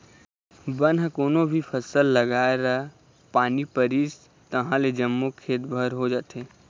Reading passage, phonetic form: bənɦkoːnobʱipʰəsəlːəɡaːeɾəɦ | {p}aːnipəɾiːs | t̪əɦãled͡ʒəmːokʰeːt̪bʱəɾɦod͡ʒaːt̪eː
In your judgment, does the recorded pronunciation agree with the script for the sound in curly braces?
yes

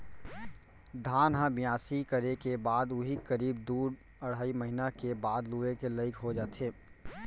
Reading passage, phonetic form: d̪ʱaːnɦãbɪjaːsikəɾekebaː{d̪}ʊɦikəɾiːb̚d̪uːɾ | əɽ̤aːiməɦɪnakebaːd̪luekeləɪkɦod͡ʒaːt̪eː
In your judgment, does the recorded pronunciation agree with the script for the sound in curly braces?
yes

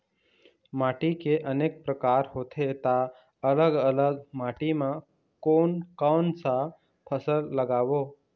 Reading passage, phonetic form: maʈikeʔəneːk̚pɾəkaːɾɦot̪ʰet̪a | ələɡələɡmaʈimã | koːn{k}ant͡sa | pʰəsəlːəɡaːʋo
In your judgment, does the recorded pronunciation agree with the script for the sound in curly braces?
yes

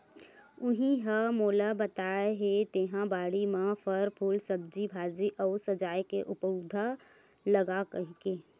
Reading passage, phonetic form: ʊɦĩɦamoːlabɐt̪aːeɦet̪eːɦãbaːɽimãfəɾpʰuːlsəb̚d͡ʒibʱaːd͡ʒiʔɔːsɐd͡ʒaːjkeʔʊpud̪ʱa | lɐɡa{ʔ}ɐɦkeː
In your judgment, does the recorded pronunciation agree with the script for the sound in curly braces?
no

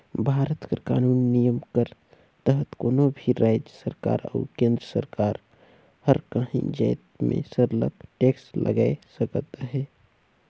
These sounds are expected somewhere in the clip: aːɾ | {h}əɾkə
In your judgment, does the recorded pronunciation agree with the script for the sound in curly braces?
yes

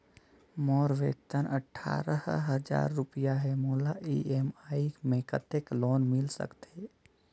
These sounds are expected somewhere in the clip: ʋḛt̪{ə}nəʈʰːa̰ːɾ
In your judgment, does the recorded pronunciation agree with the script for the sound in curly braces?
yes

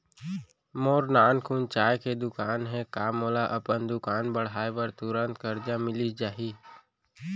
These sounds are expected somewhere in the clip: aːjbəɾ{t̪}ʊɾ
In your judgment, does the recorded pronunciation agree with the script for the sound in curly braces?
yes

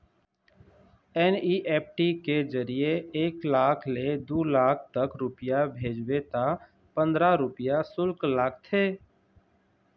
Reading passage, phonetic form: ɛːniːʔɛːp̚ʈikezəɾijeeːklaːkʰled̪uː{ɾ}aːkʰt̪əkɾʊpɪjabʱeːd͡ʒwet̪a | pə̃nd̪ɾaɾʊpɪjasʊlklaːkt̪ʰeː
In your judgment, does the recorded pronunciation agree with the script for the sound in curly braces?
no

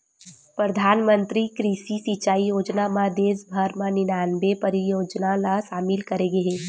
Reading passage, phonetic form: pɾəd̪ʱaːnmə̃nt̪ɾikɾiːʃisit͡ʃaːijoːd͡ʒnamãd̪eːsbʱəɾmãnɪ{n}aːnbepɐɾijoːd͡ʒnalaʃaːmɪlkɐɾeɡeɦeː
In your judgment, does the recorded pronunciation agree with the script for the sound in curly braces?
yes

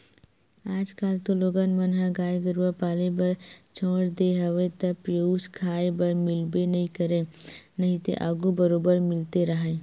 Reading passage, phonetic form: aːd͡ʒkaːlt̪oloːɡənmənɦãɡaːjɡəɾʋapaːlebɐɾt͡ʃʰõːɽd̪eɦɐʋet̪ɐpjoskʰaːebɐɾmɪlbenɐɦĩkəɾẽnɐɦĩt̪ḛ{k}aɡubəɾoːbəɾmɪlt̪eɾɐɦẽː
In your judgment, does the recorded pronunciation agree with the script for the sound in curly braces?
no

